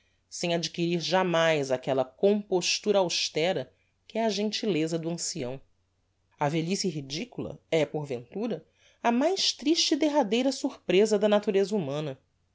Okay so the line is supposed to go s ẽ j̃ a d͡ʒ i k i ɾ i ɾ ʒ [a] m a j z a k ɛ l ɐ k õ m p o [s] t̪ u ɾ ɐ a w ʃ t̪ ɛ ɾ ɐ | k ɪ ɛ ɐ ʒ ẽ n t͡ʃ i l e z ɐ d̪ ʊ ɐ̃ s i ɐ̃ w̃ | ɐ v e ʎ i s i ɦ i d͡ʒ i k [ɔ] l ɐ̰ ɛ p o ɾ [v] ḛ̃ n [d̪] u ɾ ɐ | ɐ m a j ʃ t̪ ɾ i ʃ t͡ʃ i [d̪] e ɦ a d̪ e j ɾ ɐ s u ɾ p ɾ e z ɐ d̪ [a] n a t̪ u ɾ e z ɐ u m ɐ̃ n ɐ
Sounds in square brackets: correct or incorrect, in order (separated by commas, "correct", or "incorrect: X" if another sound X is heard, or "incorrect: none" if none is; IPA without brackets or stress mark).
correct, incorrect: ʃ, incorrect: u, correct, incorrect: t̪, correct, incorrect: ɐ